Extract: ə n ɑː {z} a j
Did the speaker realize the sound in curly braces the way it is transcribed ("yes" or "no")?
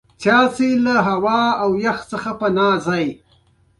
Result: yes